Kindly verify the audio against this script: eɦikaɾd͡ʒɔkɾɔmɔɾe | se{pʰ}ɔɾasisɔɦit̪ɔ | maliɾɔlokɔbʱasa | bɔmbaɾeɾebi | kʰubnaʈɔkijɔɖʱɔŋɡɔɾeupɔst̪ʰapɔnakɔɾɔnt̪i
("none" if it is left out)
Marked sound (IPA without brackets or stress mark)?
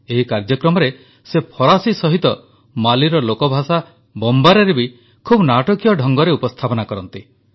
pʰ